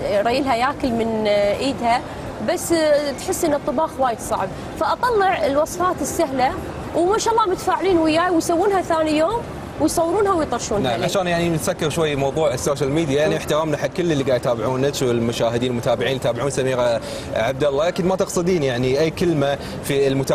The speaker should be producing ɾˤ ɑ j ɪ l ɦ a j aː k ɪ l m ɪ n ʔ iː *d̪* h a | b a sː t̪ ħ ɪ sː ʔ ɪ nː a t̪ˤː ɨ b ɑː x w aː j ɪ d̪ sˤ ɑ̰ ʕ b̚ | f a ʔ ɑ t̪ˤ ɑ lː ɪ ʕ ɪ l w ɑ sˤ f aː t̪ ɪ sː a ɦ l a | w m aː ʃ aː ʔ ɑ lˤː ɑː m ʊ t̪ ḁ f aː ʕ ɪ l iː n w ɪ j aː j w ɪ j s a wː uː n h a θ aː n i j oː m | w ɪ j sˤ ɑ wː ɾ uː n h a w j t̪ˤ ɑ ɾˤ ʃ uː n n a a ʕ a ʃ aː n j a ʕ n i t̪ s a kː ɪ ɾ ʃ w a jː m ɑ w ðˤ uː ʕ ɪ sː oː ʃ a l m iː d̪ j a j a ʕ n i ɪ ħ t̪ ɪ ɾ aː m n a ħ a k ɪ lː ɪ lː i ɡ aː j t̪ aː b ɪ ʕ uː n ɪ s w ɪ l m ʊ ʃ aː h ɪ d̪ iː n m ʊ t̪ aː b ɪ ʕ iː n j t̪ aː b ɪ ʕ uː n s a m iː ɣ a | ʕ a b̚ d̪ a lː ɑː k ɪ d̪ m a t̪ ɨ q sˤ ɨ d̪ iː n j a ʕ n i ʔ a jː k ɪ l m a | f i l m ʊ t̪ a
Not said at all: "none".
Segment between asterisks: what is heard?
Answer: d̪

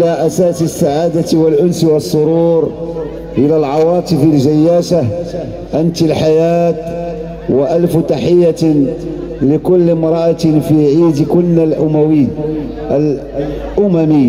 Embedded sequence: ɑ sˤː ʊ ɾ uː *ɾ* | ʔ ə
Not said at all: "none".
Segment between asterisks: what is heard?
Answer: ɾ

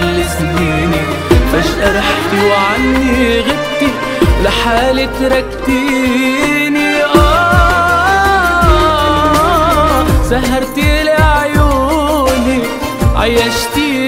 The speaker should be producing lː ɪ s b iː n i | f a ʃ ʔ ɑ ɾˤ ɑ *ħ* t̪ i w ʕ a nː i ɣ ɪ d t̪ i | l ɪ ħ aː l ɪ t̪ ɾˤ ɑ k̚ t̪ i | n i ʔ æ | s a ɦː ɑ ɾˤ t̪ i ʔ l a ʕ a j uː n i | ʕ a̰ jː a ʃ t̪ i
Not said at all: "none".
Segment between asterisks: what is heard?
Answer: ħ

